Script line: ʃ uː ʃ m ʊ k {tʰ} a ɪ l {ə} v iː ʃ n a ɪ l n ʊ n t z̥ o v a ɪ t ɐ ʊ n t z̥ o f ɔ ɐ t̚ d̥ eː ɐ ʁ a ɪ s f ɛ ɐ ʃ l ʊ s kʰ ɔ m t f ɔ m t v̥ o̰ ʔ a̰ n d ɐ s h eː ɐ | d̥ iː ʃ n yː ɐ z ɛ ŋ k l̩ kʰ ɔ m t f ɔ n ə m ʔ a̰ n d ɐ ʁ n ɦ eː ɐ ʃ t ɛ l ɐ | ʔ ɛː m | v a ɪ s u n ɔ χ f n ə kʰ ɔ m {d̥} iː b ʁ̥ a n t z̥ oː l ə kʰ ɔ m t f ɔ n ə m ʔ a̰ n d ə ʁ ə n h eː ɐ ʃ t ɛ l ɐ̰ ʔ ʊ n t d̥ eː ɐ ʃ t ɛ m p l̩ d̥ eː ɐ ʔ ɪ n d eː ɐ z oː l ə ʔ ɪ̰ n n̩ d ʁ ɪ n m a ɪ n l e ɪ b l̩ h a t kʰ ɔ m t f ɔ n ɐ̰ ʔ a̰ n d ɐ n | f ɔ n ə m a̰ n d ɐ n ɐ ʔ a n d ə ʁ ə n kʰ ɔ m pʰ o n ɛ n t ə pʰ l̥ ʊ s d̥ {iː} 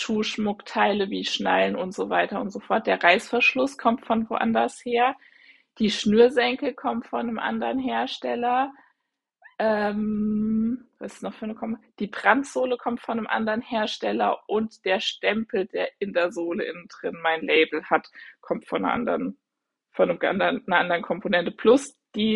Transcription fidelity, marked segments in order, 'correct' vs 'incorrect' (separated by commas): correct, correct, correct, correct